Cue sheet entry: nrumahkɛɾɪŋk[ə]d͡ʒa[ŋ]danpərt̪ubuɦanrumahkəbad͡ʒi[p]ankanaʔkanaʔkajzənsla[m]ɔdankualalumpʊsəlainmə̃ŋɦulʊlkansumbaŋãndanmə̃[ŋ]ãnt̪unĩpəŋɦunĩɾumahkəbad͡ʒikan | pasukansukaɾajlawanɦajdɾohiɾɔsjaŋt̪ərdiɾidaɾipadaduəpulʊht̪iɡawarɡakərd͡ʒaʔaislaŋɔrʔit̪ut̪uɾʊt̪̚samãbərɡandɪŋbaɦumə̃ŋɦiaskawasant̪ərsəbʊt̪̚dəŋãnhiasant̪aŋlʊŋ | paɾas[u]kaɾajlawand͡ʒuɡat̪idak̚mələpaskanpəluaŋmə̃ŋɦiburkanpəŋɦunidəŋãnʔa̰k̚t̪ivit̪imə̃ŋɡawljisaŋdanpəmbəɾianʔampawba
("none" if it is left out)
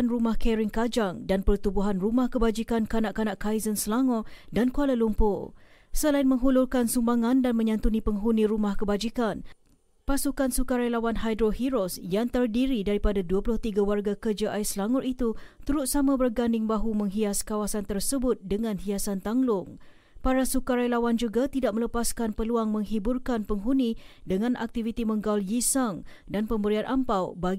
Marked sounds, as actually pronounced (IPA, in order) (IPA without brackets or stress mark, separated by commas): a, ŋ, k, ŋ, ɲ, u